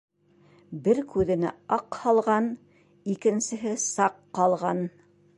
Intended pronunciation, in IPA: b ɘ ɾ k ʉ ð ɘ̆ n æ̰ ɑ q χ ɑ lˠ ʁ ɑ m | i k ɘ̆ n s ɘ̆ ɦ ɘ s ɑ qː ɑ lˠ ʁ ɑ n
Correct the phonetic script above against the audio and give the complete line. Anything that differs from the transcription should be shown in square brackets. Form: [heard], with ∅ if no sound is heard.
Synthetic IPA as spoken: b ɘ ɾ k ʉ ð ɘ̆ n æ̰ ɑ q [h] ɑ lˠ ʁ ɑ [n] | i k ɘ̆ n s ɘ̆ ɦ ɘ s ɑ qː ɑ lˠ ʁ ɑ n